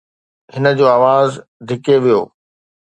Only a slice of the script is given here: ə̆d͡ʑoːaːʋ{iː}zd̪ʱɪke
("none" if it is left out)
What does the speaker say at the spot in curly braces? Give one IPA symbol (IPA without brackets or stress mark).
aː